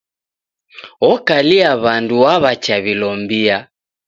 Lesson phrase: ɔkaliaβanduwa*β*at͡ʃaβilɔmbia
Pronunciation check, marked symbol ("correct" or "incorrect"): correct